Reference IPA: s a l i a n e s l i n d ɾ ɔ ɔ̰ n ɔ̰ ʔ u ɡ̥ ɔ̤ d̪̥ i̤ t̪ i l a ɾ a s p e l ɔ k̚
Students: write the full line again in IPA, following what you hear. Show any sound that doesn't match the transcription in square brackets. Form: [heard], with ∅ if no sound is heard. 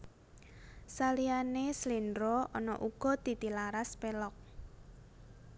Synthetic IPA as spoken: s a l i a n e s l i n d ɾ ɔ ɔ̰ n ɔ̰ ʔ u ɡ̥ ɔ̤ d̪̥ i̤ t̪ i l a ɾ a s p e l ɔ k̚